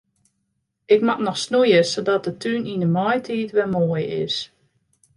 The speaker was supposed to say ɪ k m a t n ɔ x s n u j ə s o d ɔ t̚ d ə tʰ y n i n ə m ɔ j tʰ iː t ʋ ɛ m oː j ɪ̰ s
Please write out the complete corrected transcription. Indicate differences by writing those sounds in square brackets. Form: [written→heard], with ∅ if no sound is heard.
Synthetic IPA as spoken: ɪ k m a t n ɔ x s n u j ə s o d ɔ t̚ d ə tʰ y n i n ə m ɔ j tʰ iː t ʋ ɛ m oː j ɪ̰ s

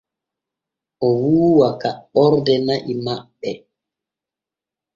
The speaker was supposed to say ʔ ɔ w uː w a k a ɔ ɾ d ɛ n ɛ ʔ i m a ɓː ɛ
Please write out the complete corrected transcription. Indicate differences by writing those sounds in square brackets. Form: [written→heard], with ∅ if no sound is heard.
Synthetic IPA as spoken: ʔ ɔ w uː w a k a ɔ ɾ d ɛ n [ɛ→a] ʔ i m a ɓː ɛ

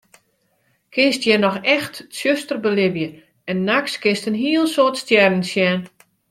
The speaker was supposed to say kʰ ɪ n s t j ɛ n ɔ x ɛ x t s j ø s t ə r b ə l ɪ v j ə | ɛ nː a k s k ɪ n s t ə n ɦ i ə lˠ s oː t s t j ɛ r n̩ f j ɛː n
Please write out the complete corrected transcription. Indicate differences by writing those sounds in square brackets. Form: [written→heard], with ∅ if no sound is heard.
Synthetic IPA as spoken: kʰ ɪ n s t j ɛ n ɔ x ɛ x t s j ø s t ə r b ə l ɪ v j ə | ɛ nː a k s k ɪ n s t ə n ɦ i ə lˠ s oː t s t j ɛ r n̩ [f→s] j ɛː n

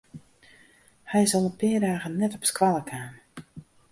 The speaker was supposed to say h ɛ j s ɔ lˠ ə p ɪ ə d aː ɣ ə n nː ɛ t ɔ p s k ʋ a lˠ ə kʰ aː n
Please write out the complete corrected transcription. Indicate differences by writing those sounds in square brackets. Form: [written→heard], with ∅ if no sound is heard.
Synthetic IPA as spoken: h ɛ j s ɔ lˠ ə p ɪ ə d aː ɣ ə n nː ɛ t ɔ p s k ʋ a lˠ ə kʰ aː n

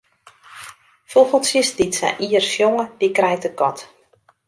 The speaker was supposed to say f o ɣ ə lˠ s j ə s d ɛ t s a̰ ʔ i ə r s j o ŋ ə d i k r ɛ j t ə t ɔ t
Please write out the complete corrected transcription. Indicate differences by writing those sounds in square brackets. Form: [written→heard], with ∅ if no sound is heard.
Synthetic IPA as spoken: f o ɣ ə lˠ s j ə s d [ɛ→i] t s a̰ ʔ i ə r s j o ŋ ə d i k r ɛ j t ə [t→k] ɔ t

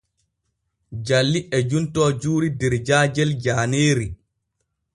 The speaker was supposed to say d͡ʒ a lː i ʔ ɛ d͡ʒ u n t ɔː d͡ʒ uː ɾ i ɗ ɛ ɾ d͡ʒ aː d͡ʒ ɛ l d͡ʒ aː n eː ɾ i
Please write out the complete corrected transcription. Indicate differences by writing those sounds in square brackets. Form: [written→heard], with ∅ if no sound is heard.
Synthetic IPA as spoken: d͡ʒ a lː i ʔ ɛ d͡ʒ u n t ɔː d͡ʒ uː ɾ i [ɗ→d] ɛ ɾ d͡ʒ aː d͡ʒ ɛ l d͡ʒ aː n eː ɾ i

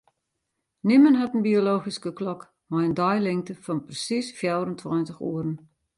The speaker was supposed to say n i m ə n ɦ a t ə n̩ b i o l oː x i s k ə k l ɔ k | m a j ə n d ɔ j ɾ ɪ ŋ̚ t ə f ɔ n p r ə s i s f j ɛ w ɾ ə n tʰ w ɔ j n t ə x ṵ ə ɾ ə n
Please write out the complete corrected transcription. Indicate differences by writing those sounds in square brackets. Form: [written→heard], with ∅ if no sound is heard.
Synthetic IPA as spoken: n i m ə n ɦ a t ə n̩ b i o l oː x i s k ə k l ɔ k | m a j ə n d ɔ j [ɾ→l] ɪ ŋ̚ t ə f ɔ n p r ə s i s f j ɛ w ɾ ə n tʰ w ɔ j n t ə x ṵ ə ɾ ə n

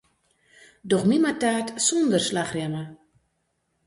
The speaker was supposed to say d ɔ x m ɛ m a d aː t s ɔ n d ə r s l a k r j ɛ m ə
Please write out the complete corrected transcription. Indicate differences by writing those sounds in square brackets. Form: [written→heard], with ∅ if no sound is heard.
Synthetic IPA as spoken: d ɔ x m [ɛ→i] m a [d→t] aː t s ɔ n d ə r s l a [k→x] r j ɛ m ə

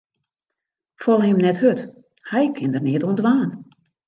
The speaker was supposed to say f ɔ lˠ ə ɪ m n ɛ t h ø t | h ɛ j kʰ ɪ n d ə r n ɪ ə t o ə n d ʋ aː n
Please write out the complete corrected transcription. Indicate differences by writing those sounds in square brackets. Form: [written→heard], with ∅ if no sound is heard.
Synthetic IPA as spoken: f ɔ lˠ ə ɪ m n ɛ t h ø t | h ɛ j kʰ ɪ n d ə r n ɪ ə t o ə n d ʋ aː n

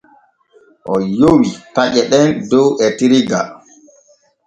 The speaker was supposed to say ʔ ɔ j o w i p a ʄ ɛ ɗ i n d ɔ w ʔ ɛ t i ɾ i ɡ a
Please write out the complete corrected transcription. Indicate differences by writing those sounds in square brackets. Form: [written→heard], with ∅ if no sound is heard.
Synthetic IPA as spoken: ʔ ɔ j o w i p a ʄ ɛ ɗ [i→ɛ] n d ɔ w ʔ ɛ t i ɾ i ɡ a

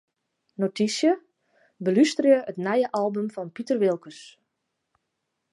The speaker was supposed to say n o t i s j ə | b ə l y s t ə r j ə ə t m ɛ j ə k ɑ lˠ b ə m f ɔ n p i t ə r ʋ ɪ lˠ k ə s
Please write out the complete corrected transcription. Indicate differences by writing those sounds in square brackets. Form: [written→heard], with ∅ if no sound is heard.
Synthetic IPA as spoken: n o t i s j ə | b ə l y s t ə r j ə ə t [m→n] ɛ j ə [k→ʔ] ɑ lˠ b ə m f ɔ n p i t ə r ʋ ɪ lˠ k ə s

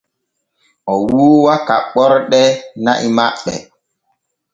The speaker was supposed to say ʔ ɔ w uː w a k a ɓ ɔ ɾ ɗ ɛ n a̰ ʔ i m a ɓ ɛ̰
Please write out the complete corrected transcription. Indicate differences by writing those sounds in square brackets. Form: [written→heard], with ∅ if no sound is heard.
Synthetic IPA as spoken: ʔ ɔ w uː w a k a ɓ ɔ ɾ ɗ ɛ n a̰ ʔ i m a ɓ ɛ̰

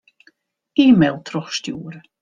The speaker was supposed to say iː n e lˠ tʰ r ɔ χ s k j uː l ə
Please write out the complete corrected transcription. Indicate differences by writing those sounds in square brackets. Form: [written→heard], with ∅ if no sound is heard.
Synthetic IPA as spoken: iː [n→m] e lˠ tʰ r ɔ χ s [k→t] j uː [l→ɾ] ə

